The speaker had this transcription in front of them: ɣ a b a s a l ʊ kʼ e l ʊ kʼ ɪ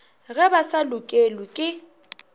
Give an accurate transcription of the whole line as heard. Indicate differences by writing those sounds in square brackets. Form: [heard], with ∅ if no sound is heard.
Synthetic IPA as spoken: ɣ [ɛ] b a s a l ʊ kʼ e l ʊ kʼ ɪ